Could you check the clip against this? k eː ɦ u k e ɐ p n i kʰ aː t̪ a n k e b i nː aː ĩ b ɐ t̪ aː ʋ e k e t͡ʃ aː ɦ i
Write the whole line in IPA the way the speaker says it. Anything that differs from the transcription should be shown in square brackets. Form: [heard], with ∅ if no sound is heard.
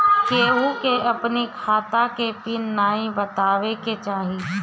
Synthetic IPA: k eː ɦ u k e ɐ p n i kʰ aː t̪ a [∅] k e [p] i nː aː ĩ b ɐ t̪ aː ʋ e k e t͡ʃ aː ɦ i